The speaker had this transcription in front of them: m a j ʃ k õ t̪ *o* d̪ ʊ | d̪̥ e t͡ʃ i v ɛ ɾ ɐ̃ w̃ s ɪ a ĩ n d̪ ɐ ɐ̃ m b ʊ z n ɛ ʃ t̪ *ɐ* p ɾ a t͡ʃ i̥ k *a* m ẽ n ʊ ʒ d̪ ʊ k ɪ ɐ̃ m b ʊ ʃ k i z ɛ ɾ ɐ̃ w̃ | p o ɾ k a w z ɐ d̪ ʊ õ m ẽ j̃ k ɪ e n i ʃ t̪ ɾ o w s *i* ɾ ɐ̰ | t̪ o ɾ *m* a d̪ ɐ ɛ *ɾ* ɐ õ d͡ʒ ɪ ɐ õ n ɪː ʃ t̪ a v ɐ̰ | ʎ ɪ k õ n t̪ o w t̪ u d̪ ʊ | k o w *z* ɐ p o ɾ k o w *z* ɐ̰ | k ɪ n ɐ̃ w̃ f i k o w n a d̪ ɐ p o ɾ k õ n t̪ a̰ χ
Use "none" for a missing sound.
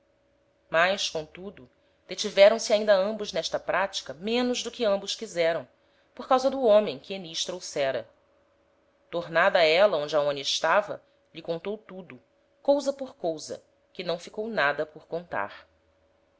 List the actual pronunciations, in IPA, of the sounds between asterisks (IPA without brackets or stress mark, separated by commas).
u, ɐ, ɐ, ɛ, n, l, z, z